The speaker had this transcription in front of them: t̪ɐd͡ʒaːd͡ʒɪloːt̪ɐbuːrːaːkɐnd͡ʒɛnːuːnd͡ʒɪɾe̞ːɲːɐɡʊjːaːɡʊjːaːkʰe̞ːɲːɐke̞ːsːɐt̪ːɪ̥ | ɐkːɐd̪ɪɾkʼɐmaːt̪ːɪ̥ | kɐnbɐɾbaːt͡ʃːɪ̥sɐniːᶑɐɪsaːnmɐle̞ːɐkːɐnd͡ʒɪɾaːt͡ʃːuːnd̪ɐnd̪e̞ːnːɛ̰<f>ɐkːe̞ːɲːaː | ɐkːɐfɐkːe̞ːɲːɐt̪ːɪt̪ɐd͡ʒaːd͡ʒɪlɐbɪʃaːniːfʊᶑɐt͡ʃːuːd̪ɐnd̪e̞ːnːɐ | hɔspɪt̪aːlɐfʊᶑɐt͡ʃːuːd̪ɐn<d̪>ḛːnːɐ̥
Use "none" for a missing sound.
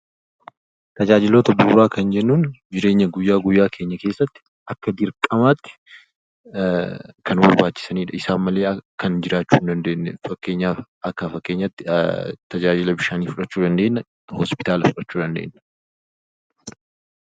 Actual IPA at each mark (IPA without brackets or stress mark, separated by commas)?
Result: f, d̪